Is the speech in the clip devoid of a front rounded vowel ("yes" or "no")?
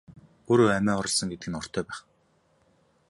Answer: no